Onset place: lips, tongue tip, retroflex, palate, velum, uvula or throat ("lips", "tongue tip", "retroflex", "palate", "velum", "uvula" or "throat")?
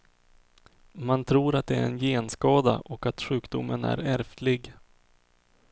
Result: lips